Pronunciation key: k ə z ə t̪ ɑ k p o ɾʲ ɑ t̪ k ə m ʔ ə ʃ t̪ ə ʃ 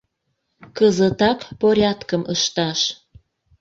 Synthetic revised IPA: k ə z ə t̪ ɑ k p o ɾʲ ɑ t̪ k ə m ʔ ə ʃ t̪ ɑ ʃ